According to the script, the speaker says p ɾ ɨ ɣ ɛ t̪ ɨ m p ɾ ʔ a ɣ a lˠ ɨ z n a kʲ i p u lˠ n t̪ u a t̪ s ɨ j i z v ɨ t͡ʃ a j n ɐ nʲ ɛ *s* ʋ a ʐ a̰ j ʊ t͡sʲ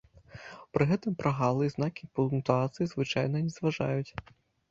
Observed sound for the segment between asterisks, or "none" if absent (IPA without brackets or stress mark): z